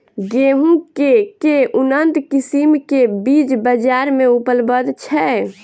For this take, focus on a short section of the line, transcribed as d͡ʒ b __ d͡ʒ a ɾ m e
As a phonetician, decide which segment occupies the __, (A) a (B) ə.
B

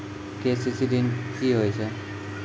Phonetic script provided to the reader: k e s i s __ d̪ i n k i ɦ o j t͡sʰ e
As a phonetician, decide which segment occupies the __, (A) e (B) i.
B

